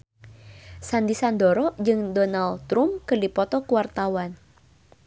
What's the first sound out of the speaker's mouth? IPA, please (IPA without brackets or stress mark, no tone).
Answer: s